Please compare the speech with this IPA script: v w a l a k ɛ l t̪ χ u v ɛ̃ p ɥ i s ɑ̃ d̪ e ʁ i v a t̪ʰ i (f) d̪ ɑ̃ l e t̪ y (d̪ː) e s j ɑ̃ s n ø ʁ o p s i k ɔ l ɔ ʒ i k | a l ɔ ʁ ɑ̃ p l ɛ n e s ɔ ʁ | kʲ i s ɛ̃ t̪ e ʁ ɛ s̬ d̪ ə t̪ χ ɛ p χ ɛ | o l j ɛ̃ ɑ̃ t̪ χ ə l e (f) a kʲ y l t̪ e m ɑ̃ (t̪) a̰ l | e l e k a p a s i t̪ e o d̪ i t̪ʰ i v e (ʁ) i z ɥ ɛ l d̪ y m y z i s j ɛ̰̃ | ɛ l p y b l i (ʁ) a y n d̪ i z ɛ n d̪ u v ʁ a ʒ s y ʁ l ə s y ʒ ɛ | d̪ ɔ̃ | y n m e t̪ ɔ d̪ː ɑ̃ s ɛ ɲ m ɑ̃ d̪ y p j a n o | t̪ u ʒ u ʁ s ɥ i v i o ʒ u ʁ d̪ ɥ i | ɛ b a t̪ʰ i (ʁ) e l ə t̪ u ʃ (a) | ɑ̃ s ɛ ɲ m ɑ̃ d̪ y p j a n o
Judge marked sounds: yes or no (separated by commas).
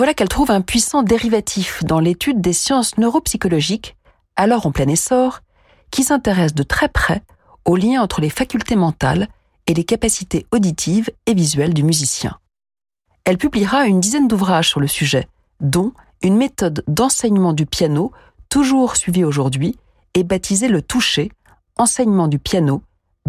yes, yes, yes, yes, no, yes, no, no